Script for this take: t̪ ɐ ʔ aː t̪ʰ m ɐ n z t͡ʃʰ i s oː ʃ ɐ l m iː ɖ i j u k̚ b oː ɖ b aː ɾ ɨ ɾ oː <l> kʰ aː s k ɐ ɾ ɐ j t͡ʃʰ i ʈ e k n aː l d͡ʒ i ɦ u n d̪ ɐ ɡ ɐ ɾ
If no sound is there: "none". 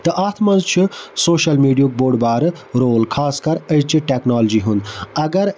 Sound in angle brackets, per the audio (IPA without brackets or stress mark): l